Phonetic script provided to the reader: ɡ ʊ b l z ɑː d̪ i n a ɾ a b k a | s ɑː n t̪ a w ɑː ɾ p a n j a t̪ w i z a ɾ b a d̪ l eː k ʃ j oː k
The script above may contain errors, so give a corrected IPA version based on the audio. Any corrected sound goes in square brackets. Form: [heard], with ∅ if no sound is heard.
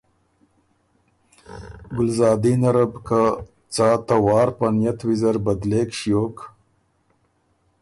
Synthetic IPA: ɡ ʊ [∅] l z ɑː d̪ i n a ɾ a b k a | [t͡s] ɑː [∅] t̪ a w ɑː ɾ p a n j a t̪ w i z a ɾ b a d̪ l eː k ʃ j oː k